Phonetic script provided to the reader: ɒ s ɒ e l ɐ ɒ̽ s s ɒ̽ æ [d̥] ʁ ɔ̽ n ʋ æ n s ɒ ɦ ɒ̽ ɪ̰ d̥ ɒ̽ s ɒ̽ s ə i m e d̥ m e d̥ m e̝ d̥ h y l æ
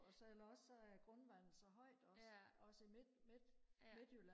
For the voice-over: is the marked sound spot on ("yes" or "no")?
no